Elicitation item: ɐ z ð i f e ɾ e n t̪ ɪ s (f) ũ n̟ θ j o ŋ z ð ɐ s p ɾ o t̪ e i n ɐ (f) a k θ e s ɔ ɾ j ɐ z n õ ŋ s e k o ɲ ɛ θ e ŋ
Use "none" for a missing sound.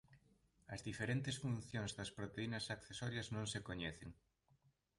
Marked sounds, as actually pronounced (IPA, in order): f, s

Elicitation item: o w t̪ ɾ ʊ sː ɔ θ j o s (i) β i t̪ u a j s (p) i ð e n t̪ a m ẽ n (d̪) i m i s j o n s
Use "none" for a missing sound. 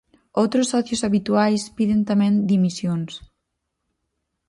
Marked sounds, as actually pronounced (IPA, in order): a, p, d̪

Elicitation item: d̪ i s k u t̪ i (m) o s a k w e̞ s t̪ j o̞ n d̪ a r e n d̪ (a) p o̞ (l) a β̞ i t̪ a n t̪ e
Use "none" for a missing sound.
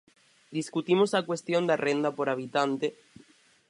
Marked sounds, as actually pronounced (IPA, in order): m, a, ɾ

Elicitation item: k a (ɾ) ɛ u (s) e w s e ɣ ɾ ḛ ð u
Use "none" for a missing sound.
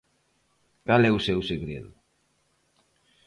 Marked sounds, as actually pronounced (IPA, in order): l, s

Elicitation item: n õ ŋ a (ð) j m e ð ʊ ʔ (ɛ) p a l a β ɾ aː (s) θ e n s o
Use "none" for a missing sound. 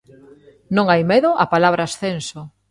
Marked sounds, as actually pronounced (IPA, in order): none, a, s

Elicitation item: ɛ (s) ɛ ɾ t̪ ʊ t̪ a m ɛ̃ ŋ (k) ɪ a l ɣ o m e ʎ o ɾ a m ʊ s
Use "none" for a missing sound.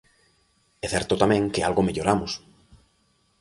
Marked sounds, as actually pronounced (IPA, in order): θ, k

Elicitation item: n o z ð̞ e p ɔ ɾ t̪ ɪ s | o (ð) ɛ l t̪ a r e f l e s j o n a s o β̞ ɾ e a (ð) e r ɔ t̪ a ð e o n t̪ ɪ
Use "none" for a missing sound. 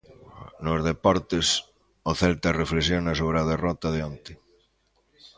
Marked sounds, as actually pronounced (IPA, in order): θ, ð

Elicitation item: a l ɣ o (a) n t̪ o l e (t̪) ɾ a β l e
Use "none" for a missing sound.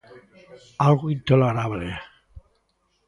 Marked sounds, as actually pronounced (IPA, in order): i, none

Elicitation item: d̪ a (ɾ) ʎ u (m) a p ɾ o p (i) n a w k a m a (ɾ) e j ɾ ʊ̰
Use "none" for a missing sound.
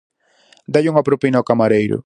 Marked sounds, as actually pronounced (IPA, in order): none, ŋ, i, ɾ

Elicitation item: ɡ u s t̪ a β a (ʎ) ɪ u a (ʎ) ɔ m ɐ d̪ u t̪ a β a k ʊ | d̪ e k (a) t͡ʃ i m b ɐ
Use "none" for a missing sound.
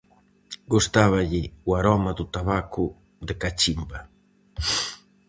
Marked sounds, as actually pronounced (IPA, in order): ʎ, ɾ, a

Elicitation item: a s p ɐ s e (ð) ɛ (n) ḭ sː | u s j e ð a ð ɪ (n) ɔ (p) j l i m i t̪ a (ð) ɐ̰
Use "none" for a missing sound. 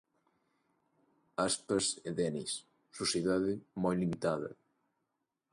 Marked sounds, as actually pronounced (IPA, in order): ð, n, m, none, ð

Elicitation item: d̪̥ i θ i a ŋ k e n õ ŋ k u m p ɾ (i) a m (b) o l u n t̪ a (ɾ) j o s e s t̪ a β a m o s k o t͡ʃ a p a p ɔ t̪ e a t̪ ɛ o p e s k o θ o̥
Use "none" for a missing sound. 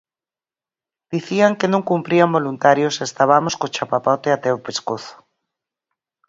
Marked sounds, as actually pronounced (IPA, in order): i, b, ɾ

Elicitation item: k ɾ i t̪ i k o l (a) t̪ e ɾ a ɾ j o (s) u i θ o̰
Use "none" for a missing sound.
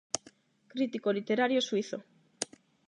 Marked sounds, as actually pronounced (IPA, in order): i, s

